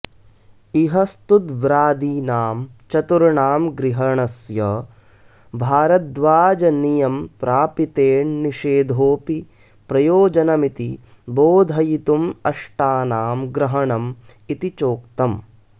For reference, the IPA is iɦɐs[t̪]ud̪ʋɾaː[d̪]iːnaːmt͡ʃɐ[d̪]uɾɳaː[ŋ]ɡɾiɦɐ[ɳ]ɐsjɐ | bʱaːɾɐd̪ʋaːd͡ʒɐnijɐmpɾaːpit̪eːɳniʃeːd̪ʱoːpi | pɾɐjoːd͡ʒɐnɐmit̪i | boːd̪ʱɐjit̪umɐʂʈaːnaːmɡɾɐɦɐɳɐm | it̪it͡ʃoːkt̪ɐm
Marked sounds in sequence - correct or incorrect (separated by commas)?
correct, correct, incorrect, incorrect, correct